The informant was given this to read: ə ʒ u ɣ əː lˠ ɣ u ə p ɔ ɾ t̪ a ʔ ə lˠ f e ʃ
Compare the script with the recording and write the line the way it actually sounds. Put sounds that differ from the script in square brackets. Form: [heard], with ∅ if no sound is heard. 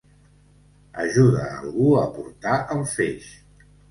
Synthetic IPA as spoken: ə ʒ u [ð] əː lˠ ɣ u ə p [u] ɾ t̪ a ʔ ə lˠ f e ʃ